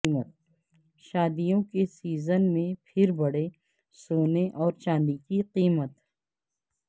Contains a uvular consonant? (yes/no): yes